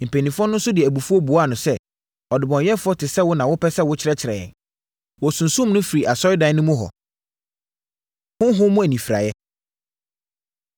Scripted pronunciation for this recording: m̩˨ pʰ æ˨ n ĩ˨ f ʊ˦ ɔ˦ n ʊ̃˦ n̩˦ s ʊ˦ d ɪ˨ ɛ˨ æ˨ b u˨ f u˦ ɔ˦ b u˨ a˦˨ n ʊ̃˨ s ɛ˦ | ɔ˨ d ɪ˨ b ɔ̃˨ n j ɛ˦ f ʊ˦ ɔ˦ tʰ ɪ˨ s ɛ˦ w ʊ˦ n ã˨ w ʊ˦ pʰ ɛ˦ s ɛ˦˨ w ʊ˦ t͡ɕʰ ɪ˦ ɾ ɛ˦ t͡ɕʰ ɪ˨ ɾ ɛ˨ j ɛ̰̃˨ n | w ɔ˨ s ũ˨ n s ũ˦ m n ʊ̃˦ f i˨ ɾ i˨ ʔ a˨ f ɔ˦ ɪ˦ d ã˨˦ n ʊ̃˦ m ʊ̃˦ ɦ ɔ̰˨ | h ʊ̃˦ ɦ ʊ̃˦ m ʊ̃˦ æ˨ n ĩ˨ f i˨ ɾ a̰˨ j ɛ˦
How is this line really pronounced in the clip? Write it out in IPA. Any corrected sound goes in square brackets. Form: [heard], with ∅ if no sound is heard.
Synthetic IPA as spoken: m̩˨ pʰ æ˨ n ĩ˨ f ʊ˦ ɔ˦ n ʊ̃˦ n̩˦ s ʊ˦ d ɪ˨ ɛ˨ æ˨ b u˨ f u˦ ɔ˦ b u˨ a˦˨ n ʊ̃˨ s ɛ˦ | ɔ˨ d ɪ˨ b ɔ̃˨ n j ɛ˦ f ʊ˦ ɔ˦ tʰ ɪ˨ s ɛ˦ w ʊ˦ n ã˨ w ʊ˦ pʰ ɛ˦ s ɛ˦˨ w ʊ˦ t͡ɕʰ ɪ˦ ɾ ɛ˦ t͡ɕʰ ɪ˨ ɾ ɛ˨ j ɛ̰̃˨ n | w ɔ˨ s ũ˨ n s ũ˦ m n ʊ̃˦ f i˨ ɾ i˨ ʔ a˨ [s] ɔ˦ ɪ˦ d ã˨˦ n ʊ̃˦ m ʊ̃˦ ɦ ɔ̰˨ | h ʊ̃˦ ɦ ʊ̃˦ m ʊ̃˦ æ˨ n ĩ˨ f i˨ ɾ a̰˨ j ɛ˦